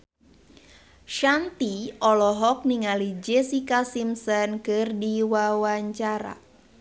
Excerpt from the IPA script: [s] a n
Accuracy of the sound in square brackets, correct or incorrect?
incorrect